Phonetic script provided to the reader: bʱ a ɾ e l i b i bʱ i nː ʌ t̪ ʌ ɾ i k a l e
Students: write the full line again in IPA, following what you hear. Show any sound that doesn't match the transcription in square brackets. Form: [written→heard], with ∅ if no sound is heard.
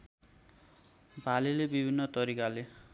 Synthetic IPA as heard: bʱ a [ɾ→l] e l [i→e] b i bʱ i nː ʌ t̪ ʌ ɾ i k a l e